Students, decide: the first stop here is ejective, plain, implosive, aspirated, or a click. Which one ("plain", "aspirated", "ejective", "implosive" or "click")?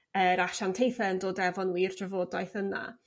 aspirated